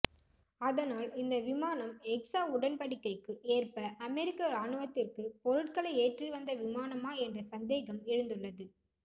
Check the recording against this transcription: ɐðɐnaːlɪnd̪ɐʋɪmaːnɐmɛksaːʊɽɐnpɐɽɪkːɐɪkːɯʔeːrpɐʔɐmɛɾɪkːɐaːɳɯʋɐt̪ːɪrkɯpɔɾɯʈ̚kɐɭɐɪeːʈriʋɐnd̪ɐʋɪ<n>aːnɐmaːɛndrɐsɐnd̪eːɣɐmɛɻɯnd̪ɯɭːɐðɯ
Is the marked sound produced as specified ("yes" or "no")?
no